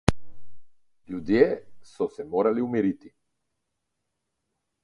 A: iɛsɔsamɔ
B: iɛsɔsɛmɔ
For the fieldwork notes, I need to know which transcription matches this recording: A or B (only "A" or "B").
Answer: B